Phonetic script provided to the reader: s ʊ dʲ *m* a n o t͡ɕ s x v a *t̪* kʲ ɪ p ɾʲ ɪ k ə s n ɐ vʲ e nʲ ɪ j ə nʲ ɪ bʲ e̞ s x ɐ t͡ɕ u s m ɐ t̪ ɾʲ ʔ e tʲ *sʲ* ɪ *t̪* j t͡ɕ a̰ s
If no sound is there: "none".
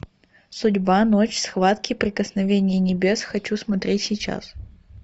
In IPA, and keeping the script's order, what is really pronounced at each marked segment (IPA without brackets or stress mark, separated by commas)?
b, t̪, sʲ, none